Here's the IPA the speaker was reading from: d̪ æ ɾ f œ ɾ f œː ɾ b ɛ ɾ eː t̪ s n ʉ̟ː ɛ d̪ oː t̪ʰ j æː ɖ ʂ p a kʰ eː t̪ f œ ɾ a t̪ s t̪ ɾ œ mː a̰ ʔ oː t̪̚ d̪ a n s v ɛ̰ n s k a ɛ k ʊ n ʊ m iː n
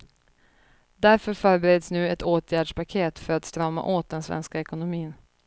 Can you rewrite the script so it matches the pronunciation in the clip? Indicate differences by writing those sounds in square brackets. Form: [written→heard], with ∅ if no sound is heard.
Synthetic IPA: d̪ æ ɾ f œ ɾ f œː ɾ b ɛ ɾ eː [t̪→d̪] s n ʉ̟ː ɛ [d̪→t̪] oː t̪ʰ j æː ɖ ʂ p a kʰ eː t̪ f œ ɾ a t̪ s t̪ ɾ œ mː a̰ ʔ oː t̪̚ d̪ [a→ɛ] n s v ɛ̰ n s k a ɛ k ʊ n ʊ m iː n